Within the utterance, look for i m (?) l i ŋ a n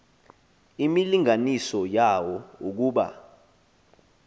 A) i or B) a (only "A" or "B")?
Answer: A